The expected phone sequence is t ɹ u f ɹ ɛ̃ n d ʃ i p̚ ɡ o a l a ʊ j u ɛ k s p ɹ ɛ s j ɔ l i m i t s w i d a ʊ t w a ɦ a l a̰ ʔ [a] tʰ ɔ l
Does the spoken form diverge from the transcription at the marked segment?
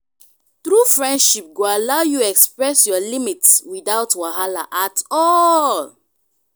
no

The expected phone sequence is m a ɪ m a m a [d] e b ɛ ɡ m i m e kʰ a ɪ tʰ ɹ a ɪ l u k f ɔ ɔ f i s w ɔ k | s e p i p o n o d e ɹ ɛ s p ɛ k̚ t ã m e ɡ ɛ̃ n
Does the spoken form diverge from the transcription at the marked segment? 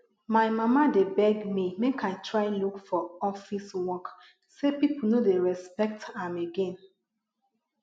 no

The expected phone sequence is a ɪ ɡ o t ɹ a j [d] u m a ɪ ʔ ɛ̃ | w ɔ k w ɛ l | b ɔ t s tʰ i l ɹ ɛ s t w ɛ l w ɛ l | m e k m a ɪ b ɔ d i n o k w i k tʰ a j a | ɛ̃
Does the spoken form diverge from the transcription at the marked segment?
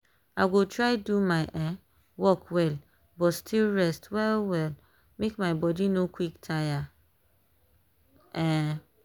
no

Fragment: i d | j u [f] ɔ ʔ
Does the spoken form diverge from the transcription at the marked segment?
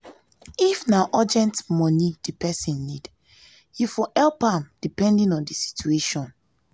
no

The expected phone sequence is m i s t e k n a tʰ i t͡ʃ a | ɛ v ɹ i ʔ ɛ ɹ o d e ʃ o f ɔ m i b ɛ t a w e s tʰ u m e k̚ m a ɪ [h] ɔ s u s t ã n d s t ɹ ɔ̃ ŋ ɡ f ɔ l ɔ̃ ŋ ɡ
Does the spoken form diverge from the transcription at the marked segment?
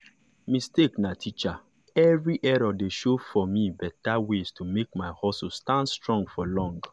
no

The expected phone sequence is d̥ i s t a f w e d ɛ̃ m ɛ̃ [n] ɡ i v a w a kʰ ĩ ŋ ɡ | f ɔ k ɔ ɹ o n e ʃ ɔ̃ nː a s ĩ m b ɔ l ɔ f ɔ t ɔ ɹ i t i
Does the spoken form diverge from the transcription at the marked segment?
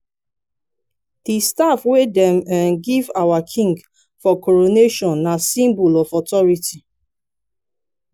no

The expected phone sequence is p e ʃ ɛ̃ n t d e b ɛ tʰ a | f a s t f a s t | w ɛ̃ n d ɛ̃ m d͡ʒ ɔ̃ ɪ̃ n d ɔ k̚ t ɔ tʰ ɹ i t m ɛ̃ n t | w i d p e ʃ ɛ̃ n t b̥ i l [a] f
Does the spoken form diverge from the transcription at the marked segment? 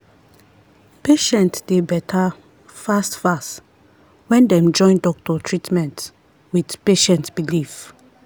yes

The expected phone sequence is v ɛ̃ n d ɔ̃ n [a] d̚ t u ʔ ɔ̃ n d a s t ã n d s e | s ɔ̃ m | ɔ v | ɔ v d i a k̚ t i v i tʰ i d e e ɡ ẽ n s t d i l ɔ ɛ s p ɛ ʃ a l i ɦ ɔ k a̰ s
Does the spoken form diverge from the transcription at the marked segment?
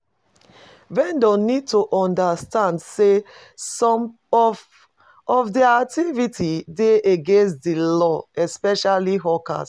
yes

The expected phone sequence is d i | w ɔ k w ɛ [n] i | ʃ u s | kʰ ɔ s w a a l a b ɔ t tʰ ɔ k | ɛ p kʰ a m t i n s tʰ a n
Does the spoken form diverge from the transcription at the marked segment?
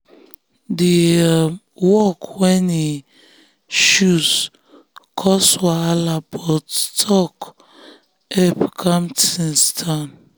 no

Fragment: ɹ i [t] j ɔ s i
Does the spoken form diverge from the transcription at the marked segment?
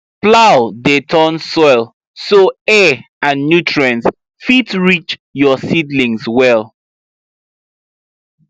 yes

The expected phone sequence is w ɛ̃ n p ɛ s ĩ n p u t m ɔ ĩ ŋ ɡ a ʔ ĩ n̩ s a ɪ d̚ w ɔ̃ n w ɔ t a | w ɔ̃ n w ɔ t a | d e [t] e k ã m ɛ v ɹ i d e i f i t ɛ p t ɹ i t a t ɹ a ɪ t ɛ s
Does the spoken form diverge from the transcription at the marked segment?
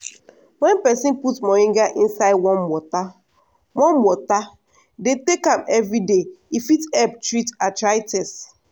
no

